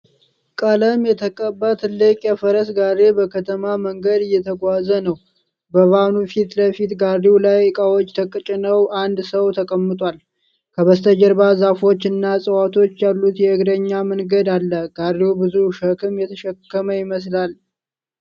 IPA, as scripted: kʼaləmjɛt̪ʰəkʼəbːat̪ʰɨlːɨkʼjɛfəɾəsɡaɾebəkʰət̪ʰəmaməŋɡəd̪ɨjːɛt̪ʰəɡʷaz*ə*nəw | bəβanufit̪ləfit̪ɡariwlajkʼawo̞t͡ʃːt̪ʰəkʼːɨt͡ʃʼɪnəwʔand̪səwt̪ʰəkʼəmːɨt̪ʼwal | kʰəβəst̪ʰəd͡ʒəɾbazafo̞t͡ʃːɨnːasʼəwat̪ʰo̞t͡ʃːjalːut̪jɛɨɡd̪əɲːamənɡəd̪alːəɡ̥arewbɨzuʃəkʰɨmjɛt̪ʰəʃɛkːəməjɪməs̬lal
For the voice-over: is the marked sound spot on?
yes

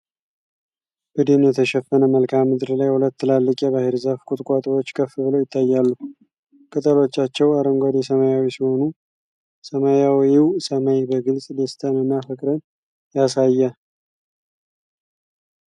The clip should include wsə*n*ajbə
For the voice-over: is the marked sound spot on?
no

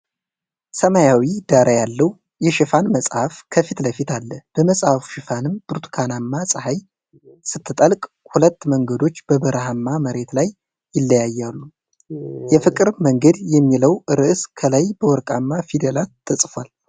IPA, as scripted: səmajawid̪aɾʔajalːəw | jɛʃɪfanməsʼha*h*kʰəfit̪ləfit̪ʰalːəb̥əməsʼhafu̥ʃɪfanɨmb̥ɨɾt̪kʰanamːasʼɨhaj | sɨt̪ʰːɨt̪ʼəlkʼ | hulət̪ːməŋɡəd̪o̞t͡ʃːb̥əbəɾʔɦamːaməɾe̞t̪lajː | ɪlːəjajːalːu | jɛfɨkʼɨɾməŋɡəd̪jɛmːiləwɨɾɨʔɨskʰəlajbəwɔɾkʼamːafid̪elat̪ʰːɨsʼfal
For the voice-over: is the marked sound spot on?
no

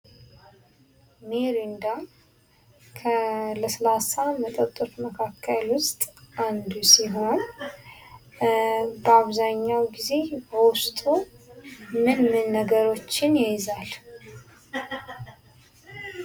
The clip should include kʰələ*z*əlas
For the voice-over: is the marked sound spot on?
no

